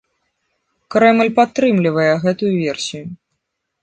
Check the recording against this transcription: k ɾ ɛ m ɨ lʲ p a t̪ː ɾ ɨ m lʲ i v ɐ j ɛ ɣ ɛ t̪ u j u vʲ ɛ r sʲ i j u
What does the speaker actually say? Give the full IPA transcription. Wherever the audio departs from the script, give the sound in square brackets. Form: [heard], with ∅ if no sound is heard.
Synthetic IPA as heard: k ɾ ɛ m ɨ lʲ p a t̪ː ɾ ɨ m lʲ i v ɐ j ɛ ɣ ɛ t̪ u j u vʲ ɛ r sʲ i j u